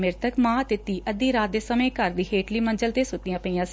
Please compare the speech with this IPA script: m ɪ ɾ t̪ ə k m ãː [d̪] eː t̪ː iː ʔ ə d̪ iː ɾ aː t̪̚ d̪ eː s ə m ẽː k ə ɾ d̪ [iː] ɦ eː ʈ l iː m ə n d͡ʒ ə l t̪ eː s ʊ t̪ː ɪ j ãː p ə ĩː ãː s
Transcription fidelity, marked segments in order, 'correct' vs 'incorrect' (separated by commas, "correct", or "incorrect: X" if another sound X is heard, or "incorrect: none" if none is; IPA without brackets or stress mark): incorrect: t̪, correct